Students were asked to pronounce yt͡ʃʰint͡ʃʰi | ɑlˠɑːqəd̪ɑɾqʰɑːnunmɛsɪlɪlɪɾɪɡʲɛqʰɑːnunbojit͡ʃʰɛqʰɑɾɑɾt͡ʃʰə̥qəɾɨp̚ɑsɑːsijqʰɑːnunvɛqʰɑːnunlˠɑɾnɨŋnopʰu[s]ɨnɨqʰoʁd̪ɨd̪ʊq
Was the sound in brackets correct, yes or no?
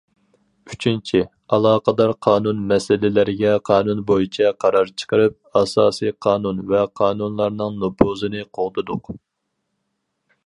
no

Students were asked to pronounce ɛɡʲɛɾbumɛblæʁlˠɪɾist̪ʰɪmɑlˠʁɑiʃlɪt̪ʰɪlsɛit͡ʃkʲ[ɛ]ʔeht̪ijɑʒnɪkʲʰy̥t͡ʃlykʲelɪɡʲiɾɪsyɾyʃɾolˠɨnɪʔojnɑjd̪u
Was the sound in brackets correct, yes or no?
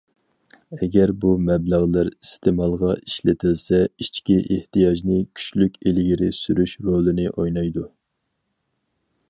no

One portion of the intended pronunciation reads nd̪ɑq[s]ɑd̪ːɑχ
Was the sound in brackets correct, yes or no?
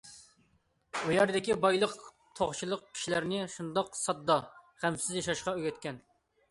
yes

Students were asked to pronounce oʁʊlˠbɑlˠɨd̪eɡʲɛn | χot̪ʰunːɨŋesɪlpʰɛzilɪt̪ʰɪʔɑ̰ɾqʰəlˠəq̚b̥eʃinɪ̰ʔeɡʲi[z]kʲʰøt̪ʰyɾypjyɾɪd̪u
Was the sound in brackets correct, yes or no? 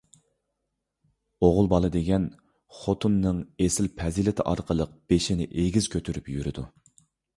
yes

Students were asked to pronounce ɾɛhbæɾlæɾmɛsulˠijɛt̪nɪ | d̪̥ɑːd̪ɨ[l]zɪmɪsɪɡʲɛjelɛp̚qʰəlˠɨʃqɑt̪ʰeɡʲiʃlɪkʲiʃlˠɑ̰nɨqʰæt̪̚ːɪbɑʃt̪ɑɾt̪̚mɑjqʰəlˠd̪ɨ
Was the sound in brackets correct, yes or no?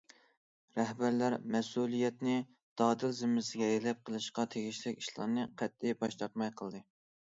yes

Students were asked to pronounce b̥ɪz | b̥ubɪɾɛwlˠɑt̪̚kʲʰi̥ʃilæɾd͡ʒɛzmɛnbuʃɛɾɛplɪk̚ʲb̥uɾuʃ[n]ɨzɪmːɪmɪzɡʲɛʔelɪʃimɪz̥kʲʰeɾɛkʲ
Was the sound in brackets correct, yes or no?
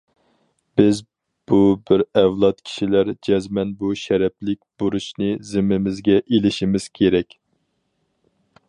yes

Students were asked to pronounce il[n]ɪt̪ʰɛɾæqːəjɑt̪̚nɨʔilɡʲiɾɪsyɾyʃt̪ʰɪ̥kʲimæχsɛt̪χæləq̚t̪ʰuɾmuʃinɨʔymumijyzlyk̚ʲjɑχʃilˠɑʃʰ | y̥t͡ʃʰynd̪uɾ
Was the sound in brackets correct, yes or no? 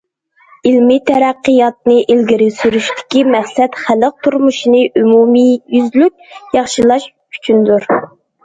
no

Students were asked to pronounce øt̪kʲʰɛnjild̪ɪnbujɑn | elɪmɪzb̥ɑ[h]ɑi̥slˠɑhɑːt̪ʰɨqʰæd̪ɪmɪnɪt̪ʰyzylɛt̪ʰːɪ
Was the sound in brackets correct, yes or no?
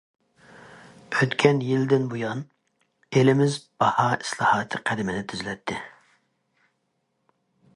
yes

